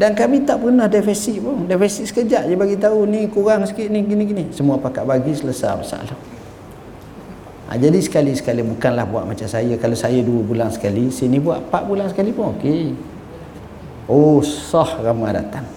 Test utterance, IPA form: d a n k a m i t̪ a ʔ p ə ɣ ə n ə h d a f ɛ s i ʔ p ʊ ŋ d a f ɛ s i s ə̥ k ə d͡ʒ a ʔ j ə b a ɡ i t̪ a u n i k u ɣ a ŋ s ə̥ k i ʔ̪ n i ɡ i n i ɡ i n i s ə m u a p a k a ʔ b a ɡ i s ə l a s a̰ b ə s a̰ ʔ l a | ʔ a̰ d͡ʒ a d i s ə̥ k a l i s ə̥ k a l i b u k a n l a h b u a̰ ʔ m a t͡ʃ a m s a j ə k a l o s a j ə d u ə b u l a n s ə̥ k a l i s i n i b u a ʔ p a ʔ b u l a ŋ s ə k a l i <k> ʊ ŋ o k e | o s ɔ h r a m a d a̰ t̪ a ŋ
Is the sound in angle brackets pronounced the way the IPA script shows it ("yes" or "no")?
no